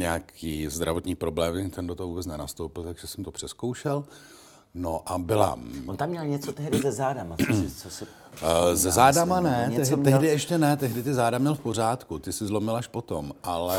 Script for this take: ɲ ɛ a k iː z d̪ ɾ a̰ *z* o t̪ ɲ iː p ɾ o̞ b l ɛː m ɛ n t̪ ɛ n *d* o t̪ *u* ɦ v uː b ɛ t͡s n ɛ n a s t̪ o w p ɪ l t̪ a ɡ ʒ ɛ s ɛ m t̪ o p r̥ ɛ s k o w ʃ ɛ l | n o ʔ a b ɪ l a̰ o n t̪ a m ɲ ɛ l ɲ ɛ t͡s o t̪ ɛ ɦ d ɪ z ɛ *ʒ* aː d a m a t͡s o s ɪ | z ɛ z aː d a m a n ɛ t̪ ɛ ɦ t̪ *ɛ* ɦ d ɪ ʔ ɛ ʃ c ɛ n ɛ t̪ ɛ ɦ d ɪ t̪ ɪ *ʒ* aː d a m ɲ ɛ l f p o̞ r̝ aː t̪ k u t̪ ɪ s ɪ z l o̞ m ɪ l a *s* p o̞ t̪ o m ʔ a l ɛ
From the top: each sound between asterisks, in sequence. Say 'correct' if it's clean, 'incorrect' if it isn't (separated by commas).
incorrect, correct, incorrect, incorrect, correct, incorrect, incorrect